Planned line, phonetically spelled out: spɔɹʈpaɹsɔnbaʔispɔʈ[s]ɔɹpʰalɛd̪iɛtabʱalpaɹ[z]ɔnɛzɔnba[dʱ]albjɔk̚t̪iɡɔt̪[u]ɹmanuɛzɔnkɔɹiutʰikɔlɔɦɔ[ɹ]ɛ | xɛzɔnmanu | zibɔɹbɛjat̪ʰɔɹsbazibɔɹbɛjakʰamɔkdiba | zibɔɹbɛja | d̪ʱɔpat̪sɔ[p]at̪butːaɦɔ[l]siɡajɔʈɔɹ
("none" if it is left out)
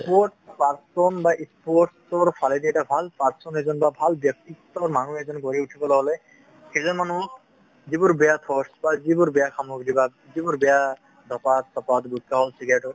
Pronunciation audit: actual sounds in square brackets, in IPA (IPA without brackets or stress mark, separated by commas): s, s, bʱ, ɔ, l, p, l